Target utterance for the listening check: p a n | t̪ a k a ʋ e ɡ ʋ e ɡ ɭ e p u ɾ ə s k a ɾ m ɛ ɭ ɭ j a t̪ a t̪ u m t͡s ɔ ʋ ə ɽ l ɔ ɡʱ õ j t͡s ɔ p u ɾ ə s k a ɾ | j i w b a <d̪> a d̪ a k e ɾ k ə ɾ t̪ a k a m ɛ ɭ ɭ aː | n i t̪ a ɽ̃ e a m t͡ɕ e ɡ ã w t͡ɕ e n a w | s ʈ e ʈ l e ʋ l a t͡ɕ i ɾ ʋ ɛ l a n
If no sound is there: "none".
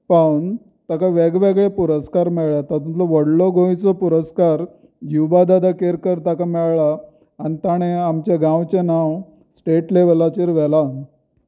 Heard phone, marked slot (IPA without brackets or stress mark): d̪